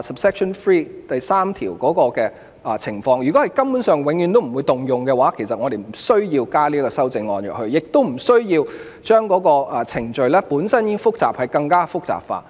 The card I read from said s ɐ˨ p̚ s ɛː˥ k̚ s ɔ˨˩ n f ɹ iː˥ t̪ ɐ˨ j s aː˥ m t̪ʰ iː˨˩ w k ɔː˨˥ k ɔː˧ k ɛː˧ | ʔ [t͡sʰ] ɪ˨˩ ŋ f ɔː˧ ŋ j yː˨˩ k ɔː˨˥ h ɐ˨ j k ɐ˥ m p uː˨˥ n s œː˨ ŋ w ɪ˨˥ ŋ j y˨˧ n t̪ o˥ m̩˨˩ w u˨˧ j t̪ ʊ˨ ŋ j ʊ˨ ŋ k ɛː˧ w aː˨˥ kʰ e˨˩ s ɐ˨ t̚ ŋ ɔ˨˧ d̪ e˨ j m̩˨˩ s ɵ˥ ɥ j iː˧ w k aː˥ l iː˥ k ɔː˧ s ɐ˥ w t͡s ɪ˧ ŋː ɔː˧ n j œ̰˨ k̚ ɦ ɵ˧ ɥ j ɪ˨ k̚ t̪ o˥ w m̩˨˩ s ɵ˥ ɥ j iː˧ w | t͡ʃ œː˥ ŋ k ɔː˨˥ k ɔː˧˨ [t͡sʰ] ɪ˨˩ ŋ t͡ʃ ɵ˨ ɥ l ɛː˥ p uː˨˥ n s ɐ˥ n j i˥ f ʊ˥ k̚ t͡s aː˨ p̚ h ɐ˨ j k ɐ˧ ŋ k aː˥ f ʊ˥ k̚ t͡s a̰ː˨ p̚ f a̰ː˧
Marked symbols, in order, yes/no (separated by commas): yes, yes